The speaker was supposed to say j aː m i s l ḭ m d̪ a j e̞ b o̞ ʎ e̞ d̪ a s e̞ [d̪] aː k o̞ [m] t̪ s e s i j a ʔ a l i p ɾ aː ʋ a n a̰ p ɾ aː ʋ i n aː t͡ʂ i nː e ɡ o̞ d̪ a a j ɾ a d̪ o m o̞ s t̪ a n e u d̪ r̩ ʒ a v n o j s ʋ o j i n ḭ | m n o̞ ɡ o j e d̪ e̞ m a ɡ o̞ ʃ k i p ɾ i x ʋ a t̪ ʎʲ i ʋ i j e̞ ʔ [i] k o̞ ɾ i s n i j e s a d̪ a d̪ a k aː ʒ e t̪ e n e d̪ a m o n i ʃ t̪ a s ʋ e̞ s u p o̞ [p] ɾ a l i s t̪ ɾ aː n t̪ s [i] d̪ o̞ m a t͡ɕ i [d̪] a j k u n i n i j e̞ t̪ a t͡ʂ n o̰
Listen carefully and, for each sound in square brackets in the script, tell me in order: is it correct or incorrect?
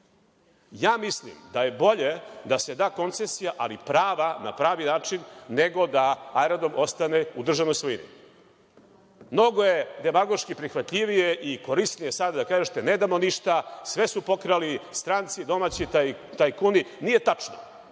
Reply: correct, incorrect: n, correct, incorrect: k, correct, incorrect: t̪

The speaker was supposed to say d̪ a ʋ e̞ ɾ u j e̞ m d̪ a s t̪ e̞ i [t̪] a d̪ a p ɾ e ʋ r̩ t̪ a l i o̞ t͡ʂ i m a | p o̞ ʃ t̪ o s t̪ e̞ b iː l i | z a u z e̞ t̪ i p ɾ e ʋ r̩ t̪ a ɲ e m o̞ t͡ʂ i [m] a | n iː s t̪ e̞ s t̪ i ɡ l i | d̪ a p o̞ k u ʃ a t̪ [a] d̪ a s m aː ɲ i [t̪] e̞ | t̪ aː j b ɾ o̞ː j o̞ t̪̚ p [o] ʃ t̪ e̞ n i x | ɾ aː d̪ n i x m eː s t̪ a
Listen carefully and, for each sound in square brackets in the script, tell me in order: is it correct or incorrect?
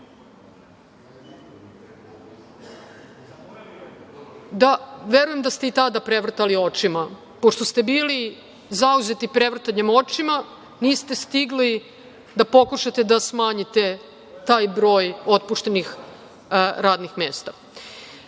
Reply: correct, correct, incorrect: e, correct, incorrect: u

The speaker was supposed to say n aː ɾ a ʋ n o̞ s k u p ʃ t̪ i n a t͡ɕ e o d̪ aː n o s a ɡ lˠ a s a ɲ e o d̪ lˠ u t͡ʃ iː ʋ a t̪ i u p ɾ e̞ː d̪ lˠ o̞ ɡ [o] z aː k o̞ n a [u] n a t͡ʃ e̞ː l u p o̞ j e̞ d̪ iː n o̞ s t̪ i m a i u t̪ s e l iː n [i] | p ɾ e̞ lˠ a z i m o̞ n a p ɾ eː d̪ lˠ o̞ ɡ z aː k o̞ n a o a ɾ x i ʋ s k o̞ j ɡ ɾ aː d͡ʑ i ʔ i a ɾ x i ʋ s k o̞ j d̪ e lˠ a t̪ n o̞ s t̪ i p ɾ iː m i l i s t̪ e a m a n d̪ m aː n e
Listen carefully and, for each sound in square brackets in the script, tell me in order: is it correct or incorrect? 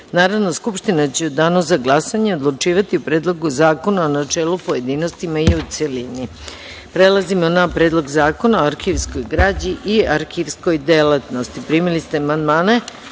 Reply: incorrect: u, incorrect: o, correct

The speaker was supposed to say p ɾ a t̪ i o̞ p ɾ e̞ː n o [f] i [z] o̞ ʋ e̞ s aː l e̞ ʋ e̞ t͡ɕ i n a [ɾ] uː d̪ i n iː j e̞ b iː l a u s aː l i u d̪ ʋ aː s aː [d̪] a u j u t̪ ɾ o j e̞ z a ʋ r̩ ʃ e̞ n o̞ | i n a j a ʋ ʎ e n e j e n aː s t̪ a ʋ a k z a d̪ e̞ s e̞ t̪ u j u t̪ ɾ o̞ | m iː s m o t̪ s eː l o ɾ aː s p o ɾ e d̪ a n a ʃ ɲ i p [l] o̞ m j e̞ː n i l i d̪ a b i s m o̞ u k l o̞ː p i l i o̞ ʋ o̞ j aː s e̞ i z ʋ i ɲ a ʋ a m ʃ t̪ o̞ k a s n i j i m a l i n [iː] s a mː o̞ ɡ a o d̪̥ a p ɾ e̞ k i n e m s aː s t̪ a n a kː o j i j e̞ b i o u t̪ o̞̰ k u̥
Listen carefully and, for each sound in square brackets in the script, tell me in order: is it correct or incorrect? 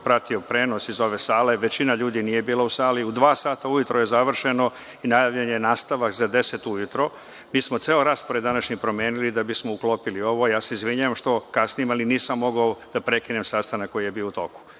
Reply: incorrect: s, correct, incorrect: ʎ, incorrect: t̪, incorrect: ɾ, correct

